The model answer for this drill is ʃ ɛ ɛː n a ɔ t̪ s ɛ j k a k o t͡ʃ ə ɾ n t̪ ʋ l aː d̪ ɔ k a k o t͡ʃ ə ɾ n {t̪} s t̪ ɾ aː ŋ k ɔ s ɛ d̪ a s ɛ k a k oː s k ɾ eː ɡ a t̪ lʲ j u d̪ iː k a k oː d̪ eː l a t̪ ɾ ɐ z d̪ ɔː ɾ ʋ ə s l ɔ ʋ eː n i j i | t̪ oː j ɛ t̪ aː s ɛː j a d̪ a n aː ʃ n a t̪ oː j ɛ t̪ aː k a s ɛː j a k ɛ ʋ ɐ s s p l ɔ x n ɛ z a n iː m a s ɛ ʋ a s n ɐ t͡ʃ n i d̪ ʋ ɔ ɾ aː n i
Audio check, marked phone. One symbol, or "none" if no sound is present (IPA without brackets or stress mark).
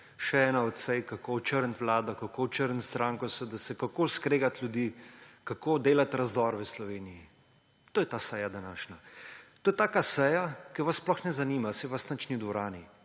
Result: t̪